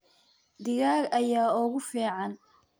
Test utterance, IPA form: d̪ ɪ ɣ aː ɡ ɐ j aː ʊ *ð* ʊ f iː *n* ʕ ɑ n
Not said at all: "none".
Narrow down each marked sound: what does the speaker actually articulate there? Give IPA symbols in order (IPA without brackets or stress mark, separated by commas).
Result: ɣ, none